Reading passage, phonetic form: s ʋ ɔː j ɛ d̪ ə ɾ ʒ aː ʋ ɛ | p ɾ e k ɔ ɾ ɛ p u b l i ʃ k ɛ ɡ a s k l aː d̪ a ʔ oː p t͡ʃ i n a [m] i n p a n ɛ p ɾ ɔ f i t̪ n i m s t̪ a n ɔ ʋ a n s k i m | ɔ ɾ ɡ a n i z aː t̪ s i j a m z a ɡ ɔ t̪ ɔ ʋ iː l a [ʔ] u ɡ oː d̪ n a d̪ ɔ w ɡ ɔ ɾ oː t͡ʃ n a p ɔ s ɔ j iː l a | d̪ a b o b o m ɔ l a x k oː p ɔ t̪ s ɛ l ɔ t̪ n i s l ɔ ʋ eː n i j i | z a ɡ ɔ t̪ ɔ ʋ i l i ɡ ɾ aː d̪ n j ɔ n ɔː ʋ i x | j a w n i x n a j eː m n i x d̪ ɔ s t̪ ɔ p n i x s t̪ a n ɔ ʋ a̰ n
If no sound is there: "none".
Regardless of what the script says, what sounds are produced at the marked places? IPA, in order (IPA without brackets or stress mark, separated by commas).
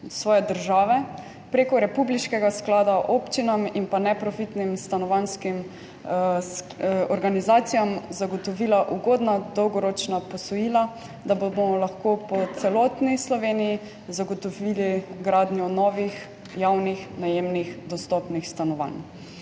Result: m, ʔ